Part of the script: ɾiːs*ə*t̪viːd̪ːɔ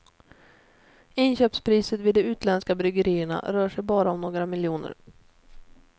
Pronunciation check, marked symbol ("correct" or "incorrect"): correct